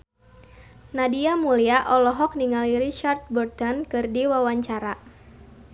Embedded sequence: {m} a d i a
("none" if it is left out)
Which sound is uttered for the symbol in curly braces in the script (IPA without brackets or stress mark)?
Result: n